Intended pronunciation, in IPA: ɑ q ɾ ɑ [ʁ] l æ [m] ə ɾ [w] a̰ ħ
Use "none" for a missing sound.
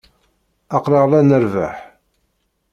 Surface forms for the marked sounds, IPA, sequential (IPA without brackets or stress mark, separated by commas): ʁ, n, v